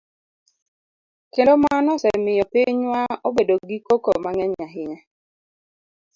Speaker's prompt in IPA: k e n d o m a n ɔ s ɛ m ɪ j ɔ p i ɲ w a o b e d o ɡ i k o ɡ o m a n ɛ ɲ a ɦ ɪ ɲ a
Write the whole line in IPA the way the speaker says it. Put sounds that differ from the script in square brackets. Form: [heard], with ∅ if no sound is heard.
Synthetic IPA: k e n d o m a n ɔ s ɛ m ɪ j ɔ p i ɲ w a o b e d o ɡ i k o [k] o m a [ŋ] ɛ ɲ a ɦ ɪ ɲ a